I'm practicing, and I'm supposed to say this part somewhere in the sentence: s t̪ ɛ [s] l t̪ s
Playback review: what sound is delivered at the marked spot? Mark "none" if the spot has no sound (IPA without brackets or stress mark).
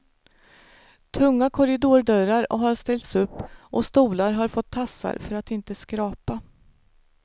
none